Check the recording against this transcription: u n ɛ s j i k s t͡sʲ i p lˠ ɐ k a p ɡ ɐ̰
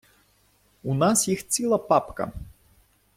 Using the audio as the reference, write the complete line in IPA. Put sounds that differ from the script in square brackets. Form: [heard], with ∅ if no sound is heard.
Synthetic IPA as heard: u n [a] s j i [x] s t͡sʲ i [∅] lˠ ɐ [p] a p [k] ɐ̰